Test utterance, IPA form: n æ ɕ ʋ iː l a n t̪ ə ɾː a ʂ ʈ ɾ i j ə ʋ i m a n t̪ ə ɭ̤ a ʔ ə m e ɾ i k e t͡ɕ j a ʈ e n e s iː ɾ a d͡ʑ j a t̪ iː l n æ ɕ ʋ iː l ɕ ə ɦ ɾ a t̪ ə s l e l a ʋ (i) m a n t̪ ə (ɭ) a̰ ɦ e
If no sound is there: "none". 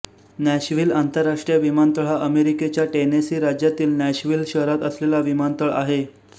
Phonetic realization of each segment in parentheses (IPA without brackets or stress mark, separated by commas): i, ɭ